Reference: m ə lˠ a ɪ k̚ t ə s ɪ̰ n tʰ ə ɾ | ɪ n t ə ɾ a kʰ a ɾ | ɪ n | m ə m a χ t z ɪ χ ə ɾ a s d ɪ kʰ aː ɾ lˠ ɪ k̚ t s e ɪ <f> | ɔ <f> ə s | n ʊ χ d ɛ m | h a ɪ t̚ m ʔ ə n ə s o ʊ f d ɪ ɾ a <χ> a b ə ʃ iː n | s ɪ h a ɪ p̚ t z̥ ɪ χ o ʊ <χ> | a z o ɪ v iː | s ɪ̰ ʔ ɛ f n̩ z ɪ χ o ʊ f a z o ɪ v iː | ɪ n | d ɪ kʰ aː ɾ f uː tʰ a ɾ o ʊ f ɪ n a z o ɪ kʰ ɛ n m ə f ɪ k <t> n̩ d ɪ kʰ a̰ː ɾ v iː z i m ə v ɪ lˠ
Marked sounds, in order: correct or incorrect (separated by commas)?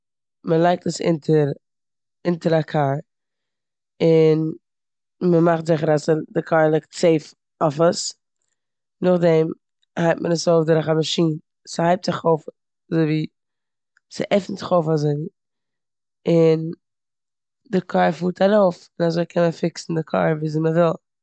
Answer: correct, correct, correct, incorrect, incorrect